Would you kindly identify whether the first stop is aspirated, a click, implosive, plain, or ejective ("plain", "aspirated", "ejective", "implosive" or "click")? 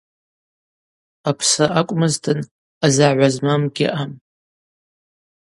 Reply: aspirated